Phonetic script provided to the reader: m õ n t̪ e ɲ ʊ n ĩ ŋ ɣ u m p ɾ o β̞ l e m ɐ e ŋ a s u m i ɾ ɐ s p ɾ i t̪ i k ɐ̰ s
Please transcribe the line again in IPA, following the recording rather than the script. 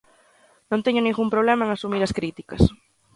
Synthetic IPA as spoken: n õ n t̪ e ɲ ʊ n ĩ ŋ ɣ u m p ɾ o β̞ l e m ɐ e ŋ a s u m i ɾ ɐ s k ɾ i t̪ i k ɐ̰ s